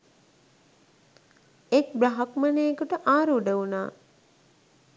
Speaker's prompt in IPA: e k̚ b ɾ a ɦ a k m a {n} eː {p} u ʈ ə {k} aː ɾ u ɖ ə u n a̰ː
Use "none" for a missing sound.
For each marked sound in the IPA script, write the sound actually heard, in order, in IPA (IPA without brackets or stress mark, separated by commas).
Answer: n, k, ʔ